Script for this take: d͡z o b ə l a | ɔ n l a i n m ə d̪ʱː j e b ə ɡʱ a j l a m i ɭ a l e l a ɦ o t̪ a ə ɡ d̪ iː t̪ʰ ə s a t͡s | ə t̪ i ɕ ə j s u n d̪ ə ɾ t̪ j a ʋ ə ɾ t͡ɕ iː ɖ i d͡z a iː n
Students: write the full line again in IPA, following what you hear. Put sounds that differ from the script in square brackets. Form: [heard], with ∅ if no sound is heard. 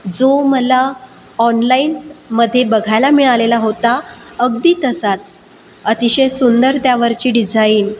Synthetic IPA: d͡z o [m] ə l a | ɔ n l a i n m ə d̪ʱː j e b ə ɡʱ a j l a m i ɭ a l e l a ɦ o t̪ a ə ɡ d̪ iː [t̪] ə s a t͡s | ə t̪ i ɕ ə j s u n d̪ ə ɾ t̪ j a ʋ ə ɾ t͡ɕ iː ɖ i d͡z a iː n